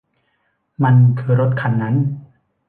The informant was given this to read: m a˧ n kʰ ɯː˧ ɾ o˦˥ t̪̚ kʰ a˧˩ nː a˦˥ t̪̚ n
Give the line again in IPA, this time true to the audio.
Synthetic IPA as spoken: m a˧ n kʰ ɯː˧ ɾ o˦˥ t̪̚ kʰ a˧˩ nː a˦˥ n